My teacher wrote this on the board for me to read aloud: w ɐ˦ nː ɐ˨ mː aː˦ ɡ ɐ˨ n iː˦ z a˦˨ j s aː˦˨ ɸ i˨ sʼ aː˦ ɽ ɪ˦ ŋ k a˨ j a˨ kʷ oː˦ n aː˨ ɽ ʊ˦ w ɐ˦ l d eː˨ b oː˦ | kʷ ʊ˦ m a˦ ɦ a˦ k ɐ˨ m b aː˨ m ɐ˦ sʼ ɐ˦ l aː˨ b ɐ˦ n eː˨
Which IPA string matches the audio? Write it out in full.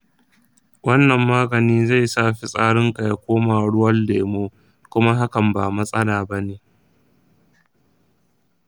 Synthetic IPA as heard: w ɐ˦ nː ɐ˨ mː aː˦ ɡ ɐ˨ n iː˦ z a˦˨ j s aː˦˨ ɸ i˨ sʼ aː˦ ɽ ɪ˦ ŋ k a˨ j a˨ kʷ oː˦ m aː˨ ɽ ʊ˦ w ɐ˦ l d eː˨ m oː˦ | kʷ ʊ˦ m a˦ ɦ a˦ k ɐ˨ m b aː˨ m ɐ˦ sʼ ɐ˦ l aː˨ b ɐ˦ n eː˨